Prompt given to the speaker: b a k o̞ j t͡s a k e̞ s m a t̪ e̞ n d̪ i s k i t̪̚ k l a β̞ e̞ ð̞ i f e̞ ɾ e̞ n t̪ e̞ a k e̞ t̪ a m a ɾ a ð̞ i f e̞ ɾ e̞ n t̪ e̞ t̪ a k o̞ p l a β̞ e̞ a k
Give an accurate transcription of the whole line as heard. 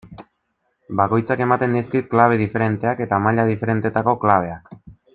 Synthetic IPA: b a k o̞ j t͡s a k e̞ m a t̪ e̞ n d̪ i s k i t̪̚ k l a β̞ e̞ ð̞ i f e̞ ɾ e̞ n t̪ e̞ a k e̞ t̪ a m a ʎ a ð̞ i f e̞ ɾ e̞ n t̪ e̞ t̪ a k o̞ k l a β̞ e̞ a k